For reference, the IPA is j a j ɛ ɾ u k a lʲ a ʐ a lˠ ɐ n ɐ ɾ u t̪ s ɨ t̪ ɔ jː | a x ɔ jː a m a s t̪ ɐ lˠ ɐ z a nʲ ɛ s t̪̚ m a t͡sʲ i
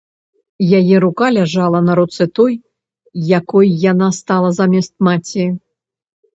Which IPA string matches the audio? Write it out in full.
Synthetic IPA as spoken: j a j ɛ ɾ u k a lʲ a ʐ a lˠ ɐ n ɐ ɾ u t̪ s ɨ t̪ ɔ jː | a k ɔ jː a n a s t̪ a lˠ ɐ z a mʲ ɛ s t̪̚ m a t͡sʲ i